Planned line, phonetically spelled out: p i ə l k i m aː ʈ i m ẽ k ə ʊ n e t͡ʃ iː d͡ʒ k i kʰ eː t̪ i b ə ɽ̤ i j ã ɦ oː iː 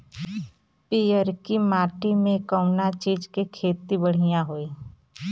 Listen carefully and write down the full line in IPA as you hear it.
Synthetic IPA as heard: p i ə ɾ k i m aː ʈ i m ẽ k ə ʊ n a t͡ʃ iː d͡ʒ k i kʰ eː t̪ i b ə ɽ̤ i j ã ɦ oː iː